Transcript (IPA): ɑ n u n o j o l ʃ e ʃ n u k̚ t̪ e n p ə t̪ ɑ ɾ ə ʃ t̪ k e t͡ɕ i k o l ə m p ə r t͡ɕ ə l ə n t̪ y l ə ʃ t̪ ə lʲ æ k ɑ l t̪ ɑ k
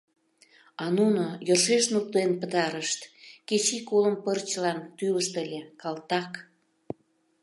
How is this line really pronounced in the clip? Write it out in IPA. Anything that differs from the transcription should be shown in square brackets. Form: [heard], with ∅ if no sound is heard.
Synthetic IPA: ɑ n u n o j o [r] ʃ e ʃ n u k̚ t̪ e n p ə t̪ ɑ ɾ ə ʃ t̪ k e t͡ɕ i k o l ə m p ə r t͡ɕ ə l [ɑ] n t̪ y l ə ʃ t̪ ə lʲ [e] k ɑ l t̪ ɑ k

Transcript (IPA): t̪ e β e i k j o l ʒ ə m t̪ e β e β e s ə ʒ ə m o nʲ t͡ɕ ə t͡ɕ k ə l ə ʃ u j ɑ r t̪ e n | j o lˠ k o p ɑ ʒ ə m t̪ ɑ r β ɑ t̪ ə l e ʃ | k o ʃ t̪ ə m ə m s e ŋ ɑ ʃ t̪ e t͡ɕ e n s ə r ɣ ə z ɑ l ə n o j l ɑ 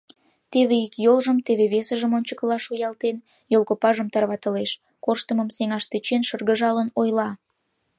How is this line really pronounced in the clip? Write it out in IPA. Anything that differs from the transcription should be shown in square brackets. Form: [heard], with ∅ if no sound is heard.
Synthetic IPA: t̪ e β e i k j o l ʒ ə m t̪ e β e β e s ə ʒ ə m o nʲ t͡ɕ ə [∅] k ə l [ɑ] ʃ u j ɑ [l] t̪ e n | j o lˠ k o p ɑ ʒ ə m t̪ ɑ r β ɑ t̪ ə l e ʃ | k o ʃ t̪ ə m ə m s e ŋ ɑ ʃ t̪ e t͡ɕ e n [ʃ] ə r ɣ ə [ʒ] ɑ l ə n o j l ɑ

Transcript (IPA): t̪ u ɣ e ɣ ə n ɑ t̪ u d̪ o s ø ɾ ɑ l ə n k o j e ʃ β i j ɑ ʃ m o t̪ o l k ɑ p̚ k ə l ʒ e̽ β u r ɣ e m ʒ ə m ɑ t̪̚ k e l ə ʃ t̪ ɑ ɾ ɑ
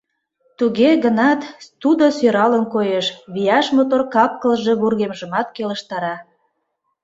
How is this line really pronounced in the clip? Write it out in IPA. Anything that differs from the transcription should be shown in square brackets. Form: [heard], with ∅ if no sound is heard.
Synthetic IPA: t̪ u ɣ e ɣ ə n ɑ t̪ u d̪ o s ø ɾ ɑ l ə n k o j e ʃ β i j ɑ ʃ m o t̪ o [r] k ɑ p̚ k ə l ʒ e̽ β u r ɣ e m ʒ ə m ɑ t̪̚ k e l ə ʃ t̪ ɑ ɾ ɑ

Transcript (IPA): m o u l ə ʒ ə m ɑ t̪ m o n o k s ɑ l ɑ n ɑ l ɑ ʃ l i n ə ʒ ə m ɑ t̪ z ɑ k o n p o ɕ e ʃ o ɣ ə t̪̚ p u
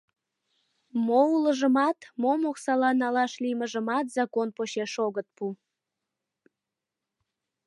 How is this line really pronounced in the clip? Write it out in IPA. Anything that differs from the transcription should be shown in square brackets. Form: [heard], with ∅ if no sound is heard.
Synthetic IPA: m o u l ə ʒ ə m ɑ t̪ m o [m] o k s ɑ l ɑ n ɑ l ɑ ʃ l i [m] ə ʒ ə m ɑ t̪ z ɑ k o n p o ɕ e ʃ o ɣ ə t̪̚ p u

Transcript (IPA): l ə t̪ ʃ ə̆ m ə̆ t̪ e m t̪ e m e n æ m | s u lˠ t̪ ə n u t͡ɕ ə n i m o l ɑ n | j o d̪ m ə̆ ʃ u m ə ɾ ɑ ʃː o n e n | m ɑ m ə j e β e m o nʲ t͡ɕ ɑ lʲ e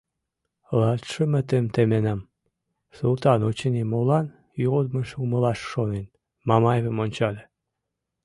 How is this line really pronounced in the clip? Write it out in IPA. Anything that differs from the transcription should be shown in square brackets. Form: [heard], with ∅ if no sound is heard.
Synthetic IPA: l [ɑ] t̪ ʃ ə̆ m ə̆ t̪ e m t̪ e m e n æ m | s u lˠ t̪ [ɑ] n [o] t͡ɕ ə n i m o l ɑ n | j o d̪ m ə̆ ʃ u m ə [l] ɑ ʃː o n e n | m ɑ m [ɑ] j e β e m o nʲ t͡ɕ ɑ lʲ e

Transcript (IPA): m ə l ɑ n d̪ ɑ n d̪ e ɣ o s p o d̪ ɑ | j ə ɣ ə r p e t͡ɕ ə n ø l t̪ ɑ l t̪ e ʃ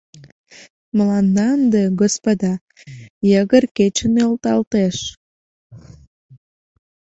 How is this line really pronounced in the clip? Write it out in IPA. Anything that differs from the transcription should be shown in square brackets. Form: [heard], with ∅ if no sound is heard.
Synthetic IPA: m ə l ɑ n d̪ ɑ n d̪ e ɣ o s p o d̪ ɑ | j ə ɣ ə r [k] e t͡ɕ ə n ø l t̪ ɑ l t̪ e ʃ

